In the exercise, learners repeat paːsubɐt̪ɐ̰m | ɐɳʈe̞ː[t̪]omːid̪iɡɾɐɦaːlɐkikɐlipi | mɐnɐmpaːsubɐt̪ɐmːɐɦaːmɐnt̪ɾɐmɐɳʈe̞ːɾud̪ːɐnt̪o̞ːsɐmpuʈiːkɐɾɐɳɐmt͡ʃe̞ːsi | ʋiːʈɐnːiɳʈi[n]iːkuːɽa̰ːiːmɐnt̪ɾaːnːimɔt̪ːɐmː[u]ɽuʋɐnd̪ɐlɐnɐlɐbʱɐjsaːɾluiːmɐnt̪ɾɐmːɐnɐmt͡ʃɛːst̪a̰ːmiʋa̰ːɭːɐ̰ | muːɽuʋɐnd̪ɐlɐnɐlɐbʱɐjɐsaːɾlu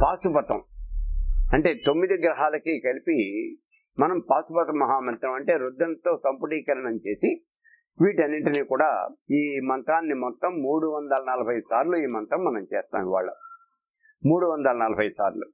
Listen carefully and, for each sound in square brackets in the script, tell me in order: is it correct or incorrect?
correct, correct, incorrect

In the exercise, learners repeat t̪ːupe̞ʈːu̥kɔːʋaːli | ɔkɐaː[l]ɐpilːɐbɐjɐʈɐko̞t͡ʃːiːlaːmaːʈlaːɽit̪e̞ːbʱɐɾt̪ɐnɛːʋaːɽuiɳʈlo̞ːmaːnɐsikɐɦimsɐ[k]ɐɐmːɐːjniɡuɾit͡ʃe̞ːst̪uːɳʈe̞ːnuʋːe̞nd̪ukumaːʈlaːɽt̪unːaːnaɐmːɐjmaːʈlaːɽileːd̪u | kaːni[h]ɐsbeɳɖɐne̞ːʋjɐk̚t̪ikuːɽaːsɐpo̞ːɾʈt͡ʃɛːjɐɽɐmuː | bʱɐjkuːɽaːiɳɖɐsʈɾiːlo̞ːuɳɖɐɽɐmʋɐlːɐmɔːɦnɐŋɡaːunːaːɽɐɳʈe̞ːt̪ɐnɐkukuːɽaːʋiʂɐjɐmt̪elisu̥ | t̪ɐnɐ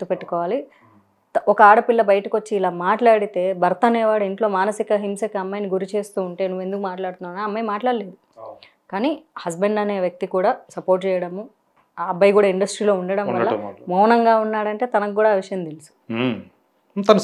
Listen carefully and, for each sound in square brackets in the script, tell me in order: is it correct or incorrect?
incorrect, correct, correct

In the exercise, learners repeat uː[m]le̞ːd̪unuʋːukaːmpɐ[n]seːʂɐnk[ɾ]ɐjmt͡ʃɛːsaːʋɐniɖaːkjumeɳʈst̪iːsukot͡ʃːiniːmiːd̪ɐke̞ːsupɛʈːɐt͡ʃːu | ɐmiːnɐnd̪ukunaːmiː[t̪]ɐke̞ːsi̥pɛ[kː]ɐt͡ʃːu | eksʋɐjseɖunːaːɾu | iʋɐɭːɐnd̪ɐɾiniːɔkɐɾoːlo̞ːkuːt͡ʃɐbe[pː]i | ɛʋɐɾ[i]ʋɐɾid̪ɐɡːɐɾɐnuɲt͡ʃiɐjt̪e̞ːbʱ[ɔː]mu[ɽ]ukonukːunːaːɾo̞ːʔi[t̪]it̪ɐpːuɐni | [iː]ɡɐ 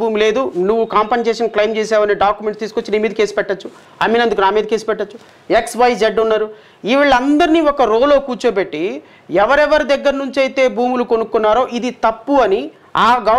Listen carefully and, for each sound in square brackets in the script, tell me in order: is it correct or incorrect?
correct, correct, incorrect, incorrect, incorrect, incorrect, incorrect, incorrect, incorrect, incorrect, incorrect

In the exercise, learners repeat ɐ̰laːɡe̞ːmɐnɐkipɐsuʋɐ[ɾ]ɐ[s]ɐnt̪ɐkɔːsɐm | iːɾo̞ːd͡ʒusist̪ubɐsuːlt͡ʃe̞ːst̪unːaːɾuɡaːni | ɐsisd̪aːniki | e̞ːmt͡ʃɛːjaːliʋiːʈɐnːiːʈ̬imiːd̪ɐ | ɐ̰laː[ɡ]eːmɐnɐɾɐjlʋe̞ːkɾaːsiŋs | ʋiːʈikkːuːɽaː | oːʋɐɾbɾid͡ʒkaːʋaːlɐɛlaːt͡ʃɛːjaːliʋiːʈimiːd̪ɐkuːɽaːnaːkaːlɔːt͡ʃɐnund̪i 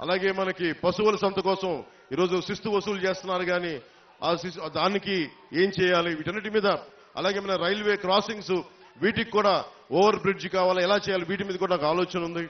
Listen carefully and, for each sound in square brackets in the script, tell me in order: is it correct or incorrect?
incorrect, correct, correct

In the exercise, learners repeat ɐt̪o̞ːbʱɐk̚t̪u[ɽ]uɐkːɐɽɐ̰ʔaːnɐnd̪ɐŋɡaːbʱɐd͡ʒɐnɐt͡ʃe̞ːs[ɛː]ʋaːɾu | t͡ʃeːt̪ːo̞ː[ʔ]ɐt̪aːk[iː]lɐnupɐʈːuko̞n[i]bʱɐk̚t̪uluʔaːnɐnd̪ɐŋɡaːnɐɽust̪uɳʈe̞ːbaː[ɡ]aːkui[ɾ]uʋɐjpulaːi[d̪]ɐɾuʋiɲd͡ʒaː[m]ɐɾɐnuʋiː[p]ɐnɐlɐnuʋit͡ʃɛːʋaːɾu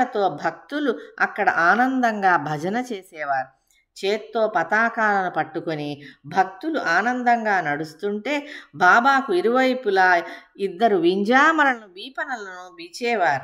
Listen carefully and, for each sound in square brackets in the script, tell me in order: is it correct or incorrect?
incorrect, correct, incorrect, incorrect, correct, incorrect, correct, incorrect, correct, correct

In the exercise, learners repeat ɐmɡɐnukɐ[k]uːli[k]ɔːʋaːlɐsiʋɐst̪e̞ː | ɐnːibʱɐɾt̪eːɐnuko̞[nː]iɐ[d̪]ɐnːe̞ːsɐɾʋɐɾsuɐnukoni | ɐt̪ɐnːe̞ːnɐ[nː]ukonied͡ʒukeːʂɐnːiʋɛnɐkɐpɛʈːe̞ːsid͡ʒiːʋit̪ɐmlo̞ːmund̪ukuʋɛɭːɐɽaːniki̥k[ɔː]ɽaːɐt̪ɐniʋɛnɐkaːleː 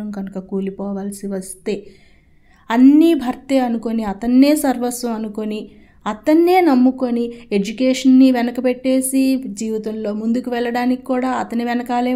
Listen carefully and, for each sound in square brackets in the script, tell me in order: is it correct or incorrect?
correct, incorrect, incorrect, incorrect, incorrect, incorrect

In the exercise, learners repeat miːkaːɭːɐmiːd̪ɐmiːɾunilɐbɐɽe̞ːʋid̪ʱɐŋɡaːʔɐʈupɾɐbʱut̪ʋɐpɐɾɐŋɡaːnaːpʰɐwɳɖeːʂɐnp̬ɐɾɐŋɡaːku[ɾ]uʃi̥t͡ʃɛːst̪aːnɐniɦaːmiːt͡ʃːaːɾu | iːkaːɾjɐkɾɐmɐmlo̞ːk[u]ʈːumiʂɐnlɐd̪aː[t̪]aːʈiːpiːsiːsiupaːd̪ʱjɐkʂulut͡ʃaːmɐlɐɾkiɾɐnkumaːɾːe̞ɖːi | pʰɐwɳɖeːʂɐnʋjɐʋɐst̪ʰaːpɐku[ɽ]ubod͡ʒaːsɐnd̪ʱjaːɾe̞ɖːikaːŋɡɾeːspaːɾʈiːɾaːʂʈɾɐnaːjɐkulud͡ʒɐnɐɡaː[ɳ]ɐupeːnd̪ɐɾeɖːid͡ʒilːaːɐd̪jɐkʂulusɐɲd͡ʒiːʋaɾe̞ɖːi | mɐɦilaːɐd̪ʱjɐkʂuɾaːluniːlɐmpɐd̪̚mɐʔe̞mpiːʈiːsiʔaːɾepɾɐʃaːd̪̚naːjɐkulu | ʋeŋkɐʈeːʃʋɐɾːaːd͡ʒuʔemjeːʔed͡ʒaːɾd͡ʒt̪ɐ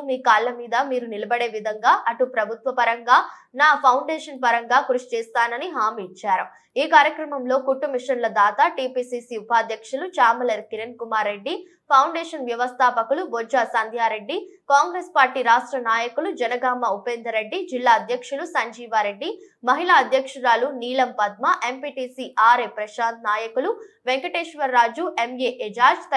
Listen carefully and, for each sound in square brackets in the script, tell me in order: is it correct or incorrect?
correct, correct, correct, incorrect, incorrect

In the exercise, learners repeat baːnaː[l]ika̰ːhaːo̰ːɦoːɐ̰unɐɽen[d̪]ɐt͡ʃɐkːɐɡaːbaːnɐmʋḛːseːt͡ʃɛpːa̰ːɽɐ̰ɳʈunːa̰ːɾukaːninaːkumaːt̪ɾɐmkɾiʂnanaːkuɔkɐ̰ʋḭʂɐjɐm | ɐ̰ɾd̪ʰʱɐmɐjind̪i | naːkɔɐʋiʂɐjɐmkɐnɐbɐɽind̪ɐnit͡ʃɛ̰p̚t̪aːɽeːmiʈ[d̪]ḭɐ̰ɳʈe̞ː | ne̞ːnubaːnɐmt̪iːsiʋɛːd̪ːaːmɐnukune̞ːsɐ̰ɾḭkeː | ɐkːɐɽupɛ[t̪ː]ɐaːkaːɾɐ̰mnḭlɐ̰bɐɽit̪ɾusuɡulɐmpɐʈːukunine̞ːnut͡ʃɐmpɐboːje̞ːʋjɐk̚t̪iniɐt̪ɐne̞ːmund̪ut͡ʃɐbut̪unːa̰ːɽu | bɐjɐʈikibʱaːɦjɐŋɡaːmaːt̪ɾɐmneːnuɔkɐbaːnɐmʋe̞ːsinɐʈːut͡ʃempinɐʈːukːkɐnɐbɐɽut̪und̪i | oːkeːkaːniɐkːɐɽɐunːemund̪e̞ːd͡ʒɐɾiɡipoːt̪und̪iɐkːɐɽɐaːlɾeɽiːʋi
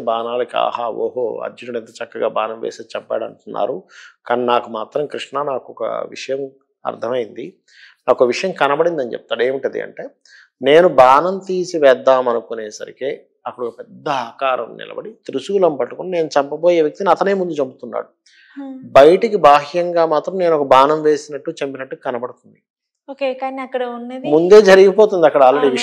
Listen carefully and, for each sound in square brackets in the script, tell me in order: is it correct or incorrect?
correct, incorrect, correct, incorrect

